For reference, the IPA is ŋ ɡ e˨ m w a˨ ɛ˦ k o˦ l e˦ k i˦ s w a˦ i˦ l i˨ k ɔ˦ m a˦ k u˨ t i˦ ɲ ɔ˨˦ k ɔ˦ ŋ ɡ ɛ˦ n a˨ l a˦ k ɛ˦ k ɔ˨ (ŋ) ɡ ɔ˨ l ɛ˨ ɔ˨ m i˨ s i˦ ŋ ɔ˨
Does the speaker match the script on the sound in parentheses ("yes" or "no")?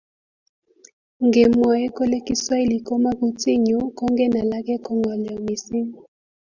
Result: yes